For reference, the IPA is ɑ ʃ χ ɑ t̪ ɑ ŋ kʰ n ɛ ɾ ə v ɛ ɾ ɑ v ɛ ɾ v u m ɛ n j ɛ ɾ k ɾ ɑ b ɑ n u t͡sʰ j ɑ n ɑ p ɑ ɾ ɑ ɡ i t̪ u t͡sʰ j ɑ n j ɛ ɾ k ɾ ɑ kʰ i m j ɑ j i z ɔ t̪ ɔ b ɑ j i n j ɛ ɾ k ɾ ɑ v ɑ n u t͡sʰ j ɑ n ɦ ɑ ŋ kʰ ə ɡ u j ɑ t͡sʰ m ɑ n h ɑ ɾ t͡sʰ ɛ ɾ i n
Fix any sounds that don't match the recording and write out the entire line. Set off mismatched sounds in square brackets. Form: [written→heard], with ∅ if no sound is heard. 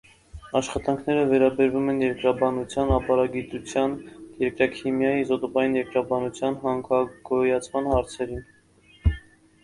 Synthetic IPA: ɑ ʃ χ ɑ t̪ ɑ ŋ kʰ n ɛ ɾ ə v ɛ ɾ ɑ [v→b] ɛ ɾ v u m ɛ n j ɛ ɾ k ɾ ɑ b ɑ n u t͡sʰ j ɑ n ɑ p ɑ ɾ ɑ ɡ i t̪ u t͡sʰ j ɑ n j ɛ ɾ k ɾ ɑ kʰ i m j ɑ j i z ɔ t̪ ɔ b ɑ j i n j ɛ ɾ k ɾ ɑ [v→b] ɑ n u t͡sʰ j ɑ n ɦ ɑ ŋ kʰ [ə→ɑ] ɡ [u→ɔ] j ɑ t͡sʰ m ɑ n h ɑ ɾ t͡sʰ ɛ ɾ i n